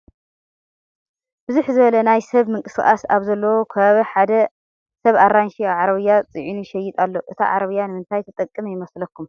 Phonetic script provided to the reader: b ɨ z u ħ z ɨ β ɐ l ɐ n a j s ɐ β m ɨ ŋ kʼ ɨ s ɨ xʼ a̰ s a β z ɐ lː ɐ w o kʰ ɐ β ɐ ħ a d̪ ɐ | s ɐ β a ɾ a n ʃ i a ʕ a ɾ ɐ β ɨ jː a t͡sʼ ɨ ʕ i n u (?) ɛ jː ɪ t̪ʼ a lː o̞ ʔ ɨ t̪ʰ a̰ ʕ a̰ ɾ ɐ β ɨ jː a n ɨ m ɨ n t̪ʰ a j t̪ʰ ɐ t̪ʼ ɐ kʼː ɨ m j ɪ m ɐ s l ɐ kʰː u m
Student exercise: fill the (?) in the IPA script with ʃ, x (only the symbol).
ʃ